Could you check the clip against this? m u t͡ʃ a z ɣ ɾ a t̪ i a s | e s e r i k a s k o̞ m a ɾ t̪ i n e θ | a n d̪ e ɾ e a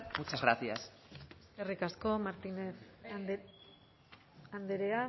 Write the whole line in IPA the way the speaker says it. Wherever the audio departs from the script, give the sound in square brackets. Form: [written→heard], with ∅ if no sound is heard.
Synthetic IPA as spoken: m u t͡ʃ a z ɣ ɾ a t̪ i a s | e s e r i k a s k o̞ m a ɾ t̪ i n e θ | a n d̪ e ɾ e a